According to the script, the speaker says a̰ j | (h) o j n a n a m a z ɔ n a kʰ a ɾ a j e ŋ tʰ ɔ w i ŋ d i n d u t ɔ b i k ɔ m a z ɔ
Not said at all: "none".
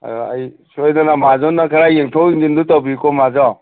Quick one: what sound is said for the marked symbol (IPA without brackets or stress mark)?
s